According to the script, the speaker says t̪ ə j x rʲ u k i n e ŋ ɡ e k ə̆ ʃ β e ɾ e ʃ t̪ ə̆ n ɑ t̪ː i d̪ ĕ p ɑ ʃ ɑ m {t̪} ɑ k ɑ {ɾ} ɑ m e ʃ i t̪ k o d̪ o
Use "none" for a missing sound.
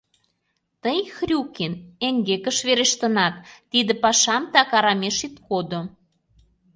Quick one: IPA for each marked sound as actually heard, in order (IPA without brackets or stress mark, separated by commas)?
t̪, ɾ